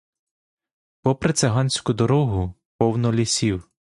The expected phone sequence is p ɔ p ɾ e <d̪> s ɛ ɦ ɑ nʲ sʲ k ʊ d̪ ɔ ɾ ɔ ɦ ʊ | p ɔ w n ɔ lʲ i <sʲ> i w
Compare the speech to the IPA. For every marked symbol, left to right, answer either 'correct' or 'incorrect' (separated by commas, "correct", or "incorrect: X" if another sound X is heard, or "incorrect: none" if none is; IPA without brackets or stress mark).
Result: incorrect: t̪, correct